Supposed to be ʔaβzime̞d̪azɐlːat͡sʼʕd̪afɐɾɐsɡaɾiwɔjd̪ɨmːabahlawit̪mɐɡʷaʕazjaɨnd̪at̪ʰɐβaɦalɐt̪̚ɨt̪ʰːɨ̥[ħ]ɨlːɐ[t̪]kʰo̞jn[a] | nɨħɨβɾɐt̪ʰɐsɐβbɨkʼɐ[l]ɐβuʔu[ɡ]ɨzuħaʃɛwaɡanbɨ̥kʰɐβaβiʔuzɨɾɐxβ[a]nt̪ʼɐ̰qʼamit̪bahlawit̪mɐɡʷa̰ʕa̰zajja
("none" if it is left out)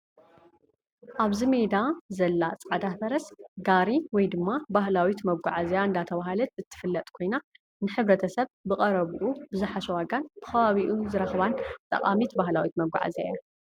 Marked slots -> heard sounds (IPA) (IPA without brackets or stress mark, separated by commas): f, t̪ʼ, a, ɾ, b, a